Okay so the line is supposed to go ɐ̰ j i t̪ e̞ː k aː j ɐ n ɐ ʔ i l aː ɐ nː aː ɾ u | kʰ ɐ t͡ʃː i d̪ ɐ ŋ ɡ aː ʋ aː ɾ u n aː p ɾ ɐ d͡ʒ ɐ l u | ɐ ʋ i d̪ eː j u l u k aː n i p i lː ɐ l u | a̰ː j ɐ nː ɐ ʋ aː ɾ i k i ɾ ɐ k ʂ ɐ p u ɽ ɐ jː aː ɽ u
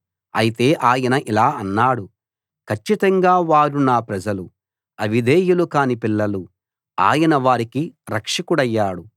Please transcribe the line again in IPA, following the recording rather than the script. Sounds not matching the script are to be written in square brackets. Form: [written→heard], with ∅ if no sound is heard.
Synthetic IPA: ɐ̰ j i t̪ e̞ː [k→ʔ] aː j ɐ n ɐ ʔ i l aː ɐ nː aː [ɾ→ɽ] u | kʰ ɐ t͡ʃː i [d̪→t̪] ɐ ŋ ɡ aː ʋ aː ɾ u n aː p ɾ ɐ d͡ʒ ɐ l u | ɐ ʋ i d̪ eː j u l u k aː n i p i lː ɐ l u | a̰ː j ɐ [nː→n] ɐ ʋ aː ɾ i k i ɾ ɐ k ʂ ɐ [p→k] u ɽ ɐ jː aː ɽ u